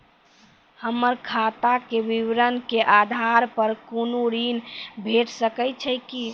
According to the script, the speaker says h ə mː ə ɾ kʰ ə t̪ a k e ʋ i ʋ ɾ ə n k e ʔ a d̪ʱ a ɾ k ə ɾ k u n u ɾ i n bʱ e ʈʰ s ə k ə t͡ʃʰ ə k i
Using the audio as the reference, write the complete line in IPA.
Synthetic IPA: h ə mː ə ɾ kʰ a t̪ a k e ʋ i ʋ ɾ ə n k e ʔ a d̪ʱ a ɾ p ə ɾ k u n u ɾ i n bʱ e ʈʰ s ə k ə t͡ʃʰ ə k i